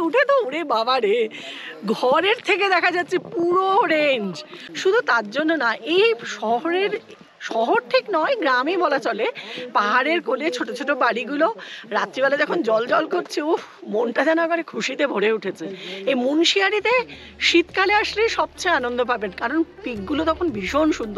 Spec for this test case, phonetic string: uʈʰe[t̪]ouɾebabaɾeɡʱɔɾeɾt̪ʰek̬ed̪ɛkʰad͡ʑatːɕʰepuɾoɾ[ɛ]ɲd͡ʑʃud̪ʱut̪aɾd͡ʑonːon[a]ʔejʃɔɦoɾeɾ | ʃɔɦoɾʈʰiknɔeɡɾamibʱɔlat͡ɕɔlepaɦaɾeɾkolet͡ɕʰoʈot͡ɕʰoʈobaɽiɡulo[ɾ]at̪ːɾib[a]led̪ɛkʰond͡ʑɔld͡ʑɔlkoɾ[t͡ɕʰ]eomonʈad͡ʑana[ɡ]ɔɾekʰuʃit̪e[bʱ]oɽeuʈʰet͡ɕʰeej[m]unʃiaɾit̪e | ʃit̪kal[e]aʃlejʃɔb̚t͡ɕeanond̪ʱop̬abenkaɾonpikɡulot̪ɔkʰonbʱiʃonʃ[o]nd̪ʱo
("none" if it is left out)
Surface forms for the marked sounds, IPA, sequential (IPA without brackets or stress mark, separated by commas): t̪, e, a, ɾ, a, t͡ɕʰ, ɡ, bʱ, m, e, u